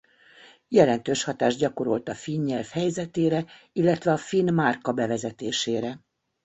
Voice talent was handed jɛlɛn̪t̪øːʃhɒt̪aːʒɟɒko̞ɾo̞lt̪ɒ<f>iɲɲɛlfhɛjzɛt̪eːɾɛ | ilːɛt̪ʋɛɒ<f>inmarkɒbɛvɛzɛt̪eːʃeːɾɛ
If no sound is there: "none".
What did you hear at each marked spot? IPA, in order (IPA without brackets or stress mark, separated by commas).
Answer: f, f